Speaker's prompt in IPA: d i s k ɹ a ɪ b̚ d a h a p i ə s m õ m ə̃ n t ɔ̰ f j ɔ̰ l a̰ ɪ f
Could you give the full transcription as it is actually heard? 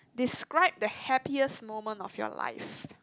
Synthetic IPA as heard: d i s k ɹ a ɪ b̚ d ə h ɛ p i ə s m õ m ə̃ n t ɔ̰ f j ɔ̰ l a̰ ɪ f